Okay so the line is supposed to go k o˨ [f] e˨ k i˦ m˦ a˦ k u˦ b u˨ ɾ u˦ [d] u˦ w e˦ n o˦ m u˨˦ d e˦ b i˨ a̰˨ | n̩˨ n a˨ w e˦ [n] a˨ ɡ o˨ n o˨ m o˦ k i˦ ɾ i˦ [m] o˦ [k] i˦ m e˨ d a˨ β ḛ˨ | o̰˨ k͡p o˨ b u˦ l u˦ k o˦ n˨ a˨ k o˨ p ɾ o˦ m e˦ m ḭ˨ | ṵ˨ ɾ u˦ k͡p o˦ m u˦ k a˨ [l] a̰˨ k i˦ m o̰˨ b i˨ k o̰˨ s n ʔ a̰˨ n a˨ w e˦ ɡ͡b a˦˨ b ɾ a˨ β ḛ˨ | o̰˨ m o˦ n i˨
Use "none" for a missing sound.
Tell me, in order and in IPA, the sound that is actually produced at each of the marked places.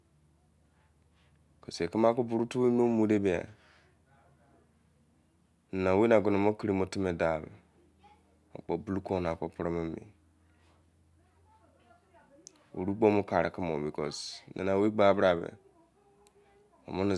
s, t, n, m, t, ɾ

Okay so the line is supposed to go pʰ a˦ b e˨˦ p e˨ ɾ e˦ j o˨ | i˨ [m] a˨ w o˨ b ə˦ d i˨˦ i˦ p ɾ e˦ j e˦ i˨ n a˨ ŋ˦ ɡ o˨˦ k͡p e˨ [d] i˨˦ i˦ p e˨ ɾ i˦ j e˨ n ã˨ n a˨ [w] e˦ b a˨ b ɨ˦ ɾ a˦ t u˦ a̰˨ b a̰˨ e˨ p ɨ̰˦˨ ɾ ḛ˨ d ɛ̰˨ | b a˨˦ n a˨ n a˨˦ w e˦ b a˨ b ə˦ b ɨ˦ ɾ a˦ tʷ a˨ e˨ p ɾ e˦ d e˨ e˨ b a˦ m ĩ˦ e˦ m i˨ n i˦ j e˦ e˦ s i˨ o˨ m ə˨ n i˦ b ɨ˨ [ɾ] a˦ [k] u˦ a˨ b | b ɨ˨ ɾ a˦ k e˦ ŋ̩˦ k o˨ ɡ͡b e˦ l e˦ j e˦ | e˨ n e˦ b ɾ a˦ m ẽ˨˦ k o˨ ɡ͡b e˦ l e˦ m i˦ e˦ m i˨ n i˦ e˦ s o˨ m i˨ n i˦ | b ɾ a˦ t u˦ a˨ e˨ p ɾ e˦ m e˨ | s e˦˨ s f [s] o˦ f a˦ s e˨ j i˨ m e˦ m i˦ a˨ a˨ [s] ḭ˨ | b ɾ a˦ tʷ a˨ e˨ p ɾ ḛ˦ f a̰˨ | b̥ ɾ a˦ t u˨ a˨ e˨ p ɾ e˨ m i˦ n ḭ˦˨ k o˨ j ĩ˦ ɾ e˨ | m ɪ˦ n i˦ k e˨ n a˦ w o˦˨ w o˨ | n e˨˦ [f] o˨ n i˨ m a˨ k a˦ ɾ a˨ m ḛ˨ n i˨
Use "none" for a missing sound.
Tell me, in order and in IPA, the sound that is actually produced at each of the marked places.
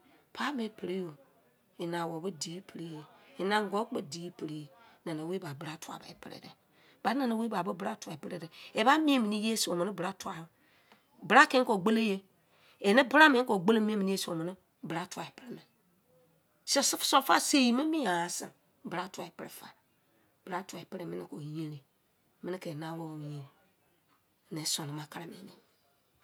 n, d, w, ɾ, t, s, s, s

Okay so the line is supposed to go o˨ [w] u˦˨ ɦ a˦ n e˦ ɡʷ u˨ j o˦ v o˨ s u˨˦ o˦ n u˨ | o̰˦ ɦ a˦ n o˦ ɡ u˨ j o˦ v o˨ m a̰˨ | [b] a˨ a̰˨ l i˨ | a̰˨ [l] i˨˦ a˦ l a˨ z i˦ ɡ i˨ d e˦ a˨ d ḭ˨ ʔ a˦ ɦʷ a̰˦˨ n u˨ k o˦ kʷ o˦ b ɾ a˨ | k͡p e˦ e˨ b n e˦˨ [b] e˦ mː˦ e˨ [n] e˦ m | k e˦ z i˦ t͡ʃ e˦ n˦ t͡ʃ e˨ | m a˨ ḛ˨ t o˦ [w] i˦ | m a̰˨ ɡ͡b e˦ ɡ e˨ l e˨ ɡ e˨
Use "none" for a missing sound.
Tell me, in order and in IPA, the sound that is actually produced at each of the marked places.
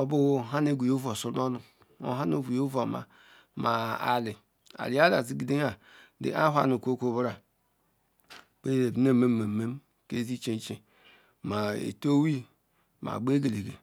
b, m, l, m, m, w

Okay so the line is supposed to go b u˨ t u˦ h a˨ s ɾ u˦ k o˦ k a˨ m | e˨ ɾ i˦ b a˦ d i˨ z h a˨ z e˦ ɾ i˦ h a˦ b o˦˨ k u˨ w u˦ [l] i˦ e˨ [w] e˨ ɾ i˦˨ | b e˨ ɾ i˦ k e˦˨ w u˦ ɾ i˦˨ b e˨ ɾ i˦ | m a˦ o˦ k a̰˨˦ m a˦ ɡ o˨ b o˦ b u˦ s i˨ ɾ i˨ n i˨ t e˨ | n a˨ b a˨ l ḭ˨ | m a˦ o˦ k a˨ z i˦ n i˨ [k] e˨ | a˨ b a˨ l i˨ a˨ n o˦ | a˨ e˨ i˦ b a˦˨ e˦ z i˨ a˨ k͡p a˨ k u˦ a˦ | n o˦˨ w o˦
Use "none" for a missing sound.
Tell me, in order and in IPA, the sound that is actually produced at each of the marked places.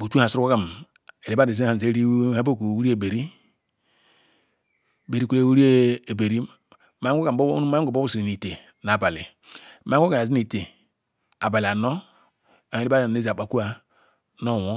ɾ, b, t

